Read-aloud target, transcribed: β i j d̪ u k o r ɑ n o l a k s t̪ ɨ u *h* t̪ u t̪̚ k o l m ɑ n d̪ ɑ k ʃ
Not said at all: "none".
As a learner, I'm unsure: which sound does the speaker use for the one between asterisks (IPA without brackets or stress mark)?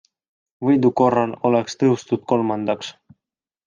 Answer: s